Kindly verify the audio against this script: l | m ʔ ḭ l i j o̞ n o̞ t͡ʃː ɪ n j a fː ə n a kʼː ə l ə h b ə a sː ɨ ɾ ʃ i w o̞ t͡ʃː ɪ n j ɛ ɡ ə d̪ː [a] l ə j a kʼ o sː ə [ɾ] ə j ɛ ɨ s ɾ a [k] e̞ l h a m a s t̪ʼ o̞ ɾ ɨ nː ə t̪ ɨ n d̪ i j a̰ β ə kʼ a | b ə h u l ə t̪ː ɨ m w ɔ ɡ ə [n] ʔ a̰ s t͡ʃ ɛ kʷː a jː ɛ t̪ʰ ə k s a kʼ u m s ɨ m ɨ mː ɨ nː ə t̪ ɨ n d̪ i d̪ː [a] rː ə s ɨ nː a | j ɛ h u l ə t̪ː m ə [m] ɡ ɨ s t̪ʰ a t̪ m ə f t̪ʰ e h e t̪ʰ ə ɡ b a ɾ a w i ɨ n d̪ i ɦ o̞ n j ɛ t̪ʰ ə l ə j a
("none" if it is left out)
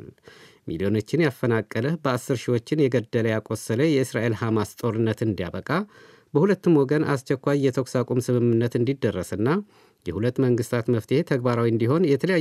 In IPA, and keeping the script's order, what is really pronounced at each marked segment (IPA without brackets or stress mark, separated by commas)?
ə, l, ʔ, n, ə, ŋ